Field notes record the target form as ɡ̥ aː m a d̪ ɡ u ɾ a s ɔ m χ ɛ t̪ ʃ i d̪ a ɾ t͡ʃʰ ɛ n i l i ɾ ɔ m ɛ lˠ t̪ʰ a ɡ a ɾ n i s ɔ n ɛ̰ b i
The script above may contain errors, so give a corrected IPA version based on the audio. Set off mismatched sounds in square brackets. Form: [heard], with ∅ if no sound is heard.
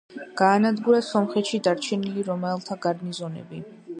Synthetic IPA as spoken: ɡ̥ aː [n] a d̪ ɡ u ɾ a s ɔ m χ ɛ t̪ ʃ i d̪ a ɾ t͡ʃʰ ɛ n i l i ɾ ɔ m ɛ lˠ t̪ʰ a ɡ a ɾ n i [z] ɔ n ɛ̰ b i